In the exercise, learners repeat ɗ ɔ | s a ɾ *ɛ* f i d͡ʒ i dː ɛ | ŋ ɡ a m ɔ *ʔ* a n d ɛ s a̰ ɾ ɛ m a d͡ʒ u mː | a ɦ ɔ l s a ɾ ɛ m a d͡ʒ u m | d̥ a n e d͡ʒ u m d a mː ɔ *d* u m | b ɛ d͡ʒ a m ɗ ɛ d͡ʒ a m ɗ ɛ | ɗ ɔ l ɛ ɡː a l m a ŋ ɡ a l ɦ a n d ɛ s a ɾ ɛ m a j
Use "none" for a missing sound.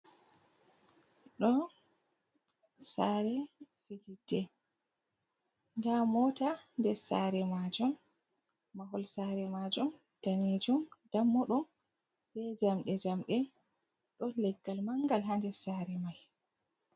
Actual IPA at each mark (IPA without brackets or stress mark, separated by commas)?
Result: ɛ, t, ɗ